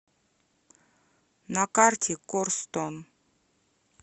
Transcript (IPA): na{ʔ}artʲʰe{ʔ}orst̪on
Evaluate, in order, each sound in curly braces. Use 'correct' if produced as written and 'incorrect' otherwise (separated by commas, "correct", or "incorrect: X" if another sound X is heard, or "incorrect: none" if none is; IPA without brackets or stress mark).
incorrect: k, incorrect: k